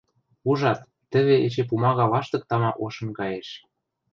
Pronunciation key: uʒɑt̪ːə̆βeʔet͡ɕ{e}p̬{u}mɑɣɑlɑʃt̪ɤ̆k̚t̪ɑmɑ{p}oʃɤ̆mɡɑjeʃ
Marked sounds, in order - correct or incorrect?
correct, correct, incorrect: ʔ

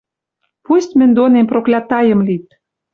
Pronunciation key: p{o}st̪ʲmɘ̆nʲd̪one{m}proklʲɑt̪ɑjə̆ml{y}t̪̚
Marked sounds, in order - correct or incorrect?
incorrect: u, correct, incorrect: i

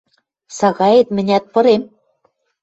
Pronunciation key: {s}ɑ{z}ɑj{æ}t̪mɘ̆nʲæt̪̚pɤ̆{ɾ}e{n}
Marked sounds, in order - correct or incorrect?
correct, incorrect: ɣ, incorrect: e, correct, incorrect: m

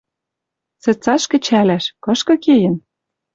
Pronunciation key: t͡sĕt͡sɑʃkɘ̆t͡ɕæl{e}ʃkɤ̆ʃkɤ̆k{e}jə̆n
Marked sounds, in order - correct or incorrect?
incorrect: æ, correct

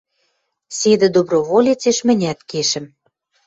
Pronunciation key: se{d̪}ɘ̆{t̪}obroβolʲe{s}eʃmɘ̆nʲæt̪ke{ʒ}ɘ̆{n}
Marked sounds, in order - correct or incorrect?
correct, incorrect: d̪, incorrect: t͡s, incorrect: ʃ, incorrect: m

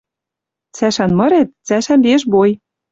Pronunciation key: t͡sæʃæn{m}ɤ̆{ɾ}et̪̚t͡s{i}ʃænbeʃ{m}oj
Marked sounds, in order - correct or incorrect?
correct, correct, incorrect: æ, incorrect: b

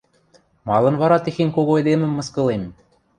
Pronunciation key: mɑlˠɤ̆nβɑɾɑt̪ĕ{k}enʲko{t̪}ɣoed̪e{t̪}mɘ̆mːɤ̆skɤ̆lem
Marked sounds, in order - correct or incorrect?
incorrect: x, incorrect: none, incorrect: none

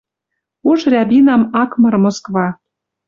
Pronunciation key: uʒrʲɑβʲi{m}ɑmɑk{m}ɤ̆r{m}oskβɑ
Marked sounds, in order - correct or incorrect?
incorrect: n, correct, correct

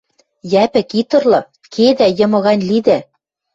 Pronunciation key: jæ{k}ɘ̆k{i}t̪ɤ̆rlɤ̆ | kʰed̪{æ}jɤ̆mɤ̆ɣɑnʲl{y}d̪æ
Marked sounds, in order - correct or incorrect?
incorrect: p, correct, correct, incorrect: i

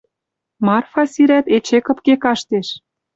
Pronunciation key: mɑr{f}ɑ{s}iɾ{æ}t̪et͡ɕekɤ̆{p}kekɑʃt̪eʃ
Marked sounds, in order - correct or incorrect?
correct, correct, correct, correct

